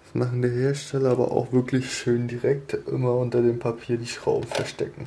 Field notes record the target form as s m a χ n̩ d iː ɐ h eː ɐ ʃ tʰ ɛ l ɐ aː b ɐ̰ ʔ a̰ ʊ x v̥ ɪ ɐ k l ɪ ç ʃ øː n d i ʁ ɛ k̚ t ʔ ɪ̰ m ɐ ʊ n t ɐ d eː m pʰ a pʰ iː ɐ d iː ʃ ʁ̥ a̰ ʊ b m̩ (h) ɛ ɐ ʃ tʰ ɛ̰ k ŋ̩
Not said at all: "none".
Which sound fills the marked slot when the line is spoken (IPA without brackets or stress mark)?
f